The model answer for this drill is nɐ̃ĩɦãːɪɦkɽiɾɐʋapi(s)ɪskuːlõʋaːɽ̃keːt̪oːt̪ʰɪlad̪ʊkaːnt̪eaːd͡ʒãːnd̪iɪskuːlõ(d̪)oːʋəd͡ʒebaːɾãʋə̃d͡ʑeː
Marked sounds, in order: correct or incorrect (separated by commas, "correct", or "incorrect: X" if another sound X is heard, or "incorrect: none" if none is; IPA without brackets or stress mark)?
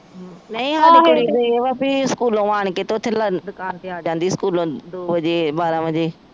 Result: incorrect: none, correct